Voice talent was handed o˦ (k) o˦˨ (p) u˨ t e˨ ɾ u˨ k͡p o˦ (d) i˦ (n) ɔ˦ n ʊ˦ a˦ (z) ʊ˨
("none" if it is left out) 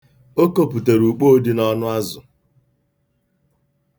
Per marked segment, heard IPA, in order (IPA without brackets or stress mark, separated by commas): k, p, d, n, z